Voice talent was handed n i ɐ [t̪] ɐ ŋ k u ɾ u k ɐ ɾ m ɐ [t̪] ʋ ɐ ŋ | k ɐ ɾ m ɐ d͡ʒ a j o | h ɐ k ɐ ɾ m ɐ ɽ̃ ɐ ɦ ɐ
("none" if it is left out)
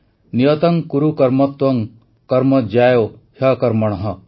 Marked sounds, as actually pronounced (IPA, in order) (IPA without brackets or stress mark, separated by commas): t̪, t̪